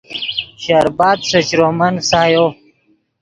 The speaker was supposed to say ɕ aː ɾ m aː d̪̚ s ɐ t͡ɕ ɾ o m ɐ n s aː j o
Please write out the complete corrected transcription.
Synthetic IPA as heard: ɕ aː ɾ b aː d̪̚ s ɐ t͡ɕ ɾ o m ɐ n s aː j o